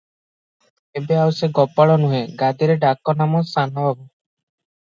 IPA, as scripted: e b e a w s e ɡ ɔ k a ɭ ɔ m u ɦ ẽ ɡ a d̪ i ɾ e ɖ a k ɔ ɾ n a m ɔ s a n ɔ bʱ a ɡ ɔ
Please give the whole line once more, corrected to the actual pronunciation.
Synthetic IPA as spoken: e b e a w s e ɡ ɔ p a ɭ ɔ n u ɦ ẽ ɡ a d̪ i ɾ e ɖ a k ɔ n a m ɔ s a n ɔ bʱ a b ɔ